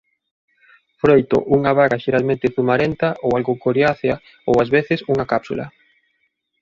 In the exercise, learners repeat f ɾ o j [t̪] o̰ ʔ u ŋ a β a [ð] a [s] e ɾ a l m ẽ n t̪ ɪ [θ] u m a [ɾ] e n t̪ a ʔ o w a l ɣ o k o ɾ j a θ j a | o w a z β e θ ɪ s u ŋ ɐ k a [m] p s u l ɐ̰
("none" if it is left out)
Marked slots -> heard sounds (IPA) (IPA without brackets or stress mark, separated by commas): t̪, ɣ, ʃ, θ, ɾ, none